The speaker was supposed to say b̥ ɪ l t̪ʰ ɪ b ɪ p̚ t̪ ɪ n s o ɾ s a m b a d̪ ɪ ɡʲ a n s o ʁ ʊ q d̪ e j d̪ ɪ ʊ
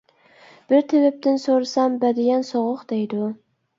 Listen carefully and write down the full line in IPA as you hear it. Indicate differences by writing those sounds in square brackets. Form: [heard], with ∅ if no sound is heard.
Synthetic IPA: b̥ ɪ [ɾ] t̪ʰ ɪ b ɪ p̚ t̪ ɪ n s o ɾ s a m b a d̪ ɪ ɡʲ a n s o ʁ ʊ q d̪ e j d̪ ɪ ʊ